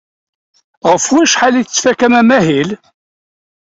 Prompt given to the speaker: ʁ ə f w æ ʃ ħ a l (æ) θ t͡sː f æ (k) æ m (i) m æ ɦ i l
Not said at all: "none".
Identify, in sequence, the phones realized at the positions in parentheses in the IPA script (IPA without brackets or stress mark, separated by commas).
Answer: i, k, æ